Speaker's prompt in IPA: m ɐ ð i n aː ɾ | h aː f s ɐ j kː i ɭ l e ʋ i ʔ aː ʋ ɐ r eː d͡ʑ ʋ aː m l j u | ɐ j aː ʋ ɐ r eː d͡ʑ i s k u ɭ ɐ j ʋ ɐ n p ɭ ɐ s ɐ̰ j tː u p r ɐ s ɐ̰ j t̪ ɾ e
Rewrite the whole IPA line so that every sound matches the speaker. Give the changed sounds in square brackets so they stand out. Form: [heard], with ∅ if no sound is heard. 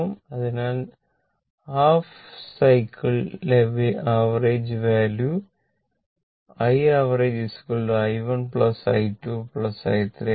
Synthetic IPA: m ɐ ð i n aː [l] | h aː f s ɐ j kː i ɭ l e ʋ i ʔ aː ʋ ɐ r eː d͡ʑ ʋ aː [∅] l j u | ɐ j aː ʋ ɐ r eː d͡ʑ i s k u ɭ ɐ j ʋ ɐ n p ɭ ɐ s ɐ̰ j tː u p [ɭ] ɐ s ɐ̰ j t̪ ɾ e